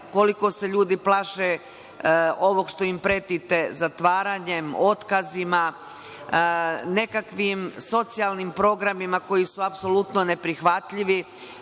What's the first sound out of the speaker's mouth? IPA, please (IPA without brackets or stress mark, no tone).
k